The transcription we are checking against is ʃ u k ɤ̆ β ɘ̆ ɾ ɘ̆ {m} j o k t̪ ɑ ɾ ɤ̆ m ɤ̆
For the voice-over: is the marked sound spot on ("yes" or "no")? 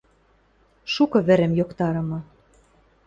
yes